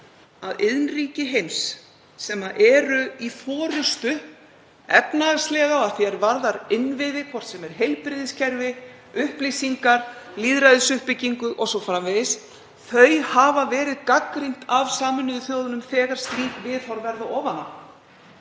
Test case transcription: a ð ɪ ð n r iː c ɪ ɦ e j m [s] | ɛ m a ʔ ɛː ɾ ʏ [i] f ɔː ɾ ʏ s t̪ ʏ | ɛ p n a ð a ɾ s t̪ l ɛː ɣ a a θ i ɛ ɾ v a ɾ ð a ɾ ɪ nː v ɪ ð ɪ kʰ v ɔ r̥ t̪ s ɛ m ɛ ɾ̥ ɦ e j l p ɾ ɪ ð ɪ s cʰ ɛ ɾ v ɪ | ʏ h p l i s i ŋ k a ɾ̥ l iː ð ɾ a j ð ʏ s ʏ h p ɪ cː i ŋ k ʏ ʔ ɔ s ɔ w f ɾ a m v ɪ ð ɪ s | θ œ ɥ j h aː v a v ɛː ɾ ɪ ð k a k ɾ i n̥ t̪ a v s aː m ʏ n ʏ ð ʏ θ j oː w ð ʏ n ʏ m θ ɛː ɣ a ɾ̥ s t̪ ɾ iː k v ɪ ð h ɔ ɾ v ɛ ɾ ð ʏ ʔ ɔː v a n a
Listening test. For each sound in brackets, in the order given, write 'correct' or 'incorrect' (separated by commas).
incorrect, correct